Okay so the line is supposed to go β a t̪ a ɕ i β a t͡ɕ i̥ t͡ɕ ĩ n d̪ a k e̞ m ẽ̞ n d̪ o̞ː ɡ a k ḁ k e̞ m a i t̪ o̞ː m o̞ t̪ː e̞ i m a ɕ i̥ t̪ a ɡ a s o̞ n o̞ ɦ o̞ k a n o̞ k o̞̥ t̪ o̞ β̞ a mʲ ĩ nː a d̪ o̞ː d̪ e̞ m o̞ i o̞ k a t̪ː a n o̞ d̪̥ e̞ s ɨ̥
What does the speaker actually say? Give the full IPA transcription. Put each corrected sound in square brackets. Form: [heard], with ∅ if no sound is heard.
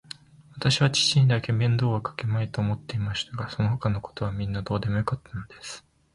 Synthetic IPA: β a t̪ a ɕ i β a t͡ɕ i̥ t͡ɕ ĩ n d̪ a k e̞ m ẽ̞ n d̪ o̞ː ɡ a k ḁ k e̞ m a i t̪ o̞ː m o̞ t̪ː e̞ i m a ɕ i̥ t̪ a ɡ a s o̞ n o̞ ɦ o̞ k a n o̞ k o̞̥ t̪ o̞ β̞ a mʲ ĩ nː a d̪ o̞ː d̪ e̞ m o̞ [j] o̞ k a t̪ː a n o̞ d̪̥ e̞ s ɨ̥